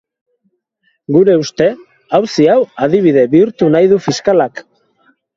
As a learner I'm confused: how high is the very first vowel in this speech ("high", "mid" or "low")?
high